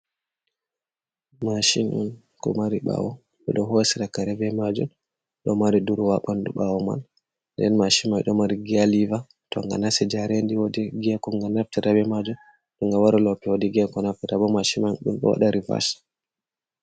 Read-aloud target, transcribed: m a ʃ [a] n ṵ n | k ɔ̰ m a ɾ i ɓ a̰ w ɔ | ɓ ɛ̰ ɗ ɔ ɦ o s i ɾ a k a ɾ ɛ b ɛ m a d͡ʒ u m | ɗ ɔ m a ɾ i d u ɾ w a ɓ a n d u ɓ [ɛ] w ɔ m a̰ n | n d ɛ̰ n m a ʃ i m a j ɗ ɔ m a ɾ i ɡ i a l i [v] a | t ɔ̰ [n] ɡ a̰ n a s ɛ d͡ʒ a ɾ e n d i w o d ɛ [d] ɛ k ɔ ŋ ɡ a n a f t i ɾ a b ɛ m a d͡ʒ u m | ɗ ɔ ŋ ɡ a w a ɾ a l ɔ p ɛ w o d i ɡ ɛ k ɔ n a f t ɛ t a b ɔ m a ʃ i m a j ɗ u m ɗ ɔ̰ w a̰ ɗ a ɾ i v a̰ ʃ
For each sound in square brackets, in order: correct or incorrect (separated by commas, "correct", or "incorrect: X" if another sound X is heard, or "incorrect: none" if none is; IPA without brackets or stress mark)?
incorrect: i, incorrect: a, correct, incorrect: ŋ, incorrect: ɡ